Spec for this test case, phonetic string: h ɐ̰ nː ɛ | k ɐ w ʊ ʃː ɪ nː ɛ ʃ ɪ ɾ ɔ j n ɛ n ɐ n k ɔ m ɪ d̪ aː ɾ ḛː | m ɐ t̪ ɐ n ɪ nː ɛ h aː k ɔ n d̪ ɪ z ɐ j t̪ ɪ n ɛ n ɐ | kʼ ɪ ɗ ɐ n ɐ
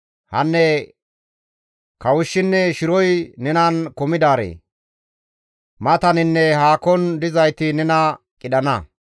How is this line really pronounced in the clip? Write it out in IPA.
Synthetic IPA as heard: h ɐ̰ nː ɛ | k ɐ w ʊ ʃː ɪ nː ɛ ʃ ɪ ɾ ɔ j n ɛ n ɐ n k ɔ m ɪ d̪ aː ɾ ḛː | m ɐ t̪ ɐ n ɪ nː ɛ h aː k ɔ n d̪ ɪ z ɐ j t̪ ɪ n ɛ n ɐ | kʼ ɪ ɗ ɐ n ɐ